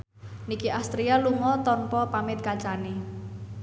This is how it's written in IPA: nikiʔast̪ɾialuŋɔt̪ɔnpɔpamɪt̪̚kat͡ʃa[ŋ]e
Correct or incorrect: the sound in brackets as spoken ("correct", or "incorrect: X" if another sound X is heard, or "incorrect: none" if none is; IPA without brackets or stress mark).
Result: incorrect: n